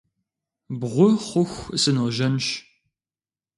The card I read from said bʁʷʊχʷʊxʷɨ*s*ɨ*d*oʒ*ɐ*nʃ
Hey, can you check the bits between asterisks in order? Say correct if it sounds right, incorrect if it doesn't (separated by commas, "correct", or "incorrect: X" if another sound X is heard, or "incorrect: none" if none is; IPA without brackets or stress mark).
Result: correct, incorrect: n, correct